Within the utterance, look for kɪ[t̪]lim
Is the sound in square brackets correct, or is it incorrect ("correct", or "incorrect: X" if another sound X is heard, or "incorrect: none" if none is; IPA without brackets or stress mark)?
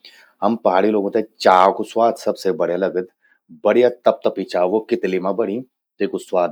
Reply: correct